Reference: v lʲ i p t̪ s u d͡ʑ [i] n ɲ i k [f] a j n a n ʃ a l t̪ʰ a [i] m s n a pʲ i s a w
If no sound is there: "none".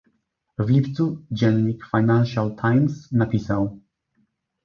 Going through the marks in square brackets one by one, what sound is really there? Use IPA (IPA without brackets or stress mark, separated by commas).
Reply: ɛ, f, j